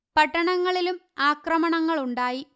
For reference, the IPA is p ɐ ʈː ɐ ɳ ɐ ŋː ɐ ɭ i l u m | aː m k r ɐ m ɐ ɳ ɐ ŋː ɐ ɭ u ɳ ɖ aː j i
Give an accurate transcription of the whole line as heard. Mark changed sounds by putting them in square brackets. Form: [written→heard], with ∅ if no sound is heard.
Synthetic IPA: p ɐ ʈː ɐ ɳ ɐ ŋː ɐ ɭ i l u m | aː [m→∅] k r ɐ m ɐ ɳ ɐ ŋː ɐ ɭ u ɳ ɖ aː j i